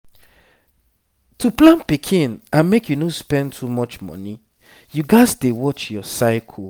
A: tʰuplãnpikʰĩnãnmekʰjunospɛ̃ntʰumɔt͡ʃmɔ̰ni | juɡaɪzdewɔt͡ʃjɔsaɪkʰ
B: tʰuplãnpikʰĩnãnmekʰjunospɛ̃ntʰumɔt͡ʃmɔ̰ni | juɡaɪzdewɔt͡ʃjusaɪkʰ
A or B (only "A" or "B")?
A